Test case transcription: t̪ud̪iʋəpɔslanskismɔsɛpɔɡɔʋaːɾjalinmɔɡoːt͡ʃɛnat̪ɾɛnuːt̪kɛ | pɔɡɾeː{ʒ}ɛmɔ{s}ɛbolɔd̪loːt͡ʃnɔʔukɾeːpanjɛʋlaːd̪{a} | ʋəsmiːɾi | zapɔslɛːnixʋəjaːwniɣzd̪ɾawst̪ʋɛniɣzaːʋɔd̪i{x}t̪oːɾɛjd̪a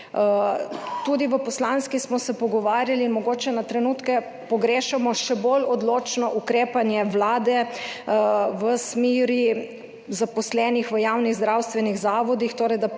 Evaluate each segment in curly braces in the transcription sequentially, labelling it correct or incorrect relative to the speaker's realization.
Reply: incorrect: ʃ, incorrect: ʃ, incorrect: ɛ, correct

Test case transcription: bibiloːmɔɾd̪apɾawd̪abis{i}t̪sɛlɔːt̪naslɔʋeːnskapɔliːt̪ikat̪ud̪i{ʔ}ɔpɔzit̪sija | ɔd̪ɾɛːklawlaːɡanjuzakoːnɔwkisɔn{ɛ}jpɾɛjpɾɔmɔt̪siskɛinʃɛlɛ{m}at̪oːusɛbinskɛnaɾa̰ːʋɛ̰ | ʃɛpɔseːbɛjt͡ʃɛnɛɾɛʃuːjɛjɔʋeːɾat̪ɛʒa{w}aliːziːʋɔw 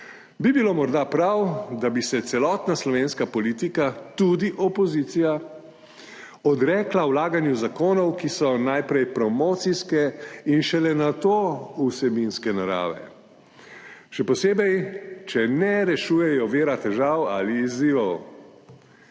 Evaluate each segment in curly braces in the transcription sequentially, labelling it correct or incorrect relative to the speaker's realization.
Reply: incorrect: ɛ, correct, incorrect: a, incorrect: n, correct

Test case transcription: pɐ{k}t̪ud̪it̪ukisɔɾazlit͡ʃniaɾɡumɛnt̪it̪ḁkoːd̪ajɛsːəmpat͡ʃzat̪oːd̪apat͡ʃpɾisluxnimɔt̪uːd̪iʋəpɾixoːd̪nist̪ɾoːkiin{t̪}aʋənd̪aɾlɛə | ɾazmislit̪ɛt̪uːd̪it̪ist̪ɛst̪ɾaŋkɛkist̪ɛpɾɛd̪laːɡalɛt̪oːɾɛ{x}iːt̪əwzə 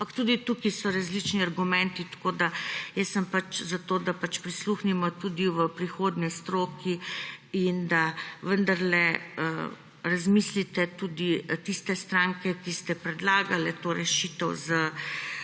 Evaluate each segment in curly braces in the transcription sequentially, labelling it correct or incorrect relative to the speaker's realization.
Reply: correct, incorrect: d̪, incorrect: ʃ

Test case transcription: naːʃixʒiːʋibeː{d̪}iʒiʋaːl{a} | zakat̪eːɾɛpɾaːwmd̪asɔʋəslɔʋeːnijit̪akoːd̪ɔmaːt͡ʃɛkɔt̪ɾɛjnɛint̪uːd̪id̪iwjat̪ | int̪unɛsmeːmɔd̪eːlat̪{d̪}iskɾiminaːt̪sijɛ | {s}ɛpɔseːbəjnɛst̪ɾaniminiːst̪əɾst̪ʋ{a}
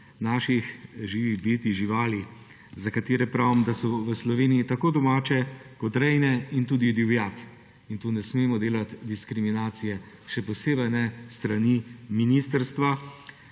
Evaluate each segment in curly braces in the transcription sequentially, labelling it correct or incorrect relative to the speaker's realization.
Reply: incorrect: t̪, incorrect: i, correct, incorrect: ʃ, correct

